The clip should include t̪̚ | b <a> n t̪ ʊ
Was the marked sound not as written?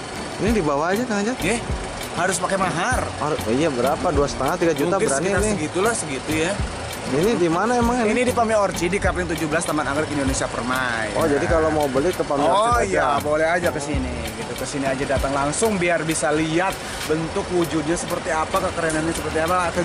yes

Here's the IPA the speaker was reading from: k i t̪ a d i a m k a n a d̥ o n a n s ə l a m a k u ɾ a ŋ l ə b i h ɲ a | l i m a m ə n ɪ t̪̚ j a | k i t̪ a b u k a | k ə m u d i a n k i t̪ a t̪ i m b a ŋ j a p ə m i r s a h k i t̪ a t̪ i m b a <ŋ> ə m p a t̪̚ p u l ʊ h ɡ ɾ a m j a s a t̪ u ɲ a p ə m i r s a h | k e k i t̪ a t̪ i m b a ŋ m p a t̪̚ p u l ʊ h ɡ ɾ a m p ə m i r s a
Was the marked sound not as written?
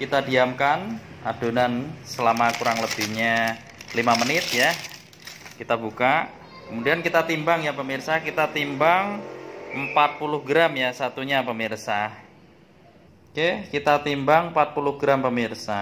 no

